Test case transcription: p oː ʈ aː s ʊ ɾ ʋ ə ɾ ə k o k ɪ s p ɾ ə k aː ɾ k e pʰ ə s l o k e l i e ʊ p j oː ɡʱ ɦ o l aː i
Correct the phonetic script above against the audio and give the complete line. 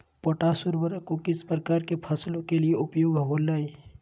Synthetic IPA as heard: p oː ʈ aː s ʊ ɾ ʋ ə ɾ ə k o k ɪ s p ɾ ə k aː ɾ k e pʰ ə s l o k e l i e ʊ p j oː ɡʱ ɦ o l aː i